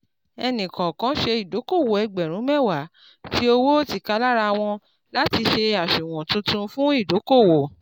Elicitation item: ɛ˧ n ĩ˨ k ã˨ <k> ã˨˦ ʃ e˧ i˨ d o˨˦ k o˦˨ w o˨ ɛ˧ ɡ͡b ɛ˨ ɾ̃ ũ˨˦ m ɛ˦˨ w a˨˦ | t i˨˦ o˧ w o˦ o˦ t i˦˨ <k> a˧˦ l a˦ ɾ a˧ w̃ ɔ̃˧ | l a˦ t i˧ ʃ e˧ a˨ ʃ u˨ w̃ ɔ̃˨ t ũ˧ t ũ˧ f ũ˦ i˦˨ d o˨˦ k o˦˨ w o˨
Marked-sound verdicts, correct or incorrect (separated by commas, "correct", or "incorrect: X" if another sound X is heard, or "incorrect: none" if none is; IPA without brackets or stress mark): correct, correct